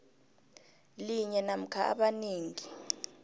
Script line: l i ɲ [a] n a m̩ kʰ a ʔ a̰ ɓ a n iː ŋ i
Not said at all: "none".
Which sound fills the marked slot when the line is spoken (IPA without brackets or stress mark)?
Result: ɛ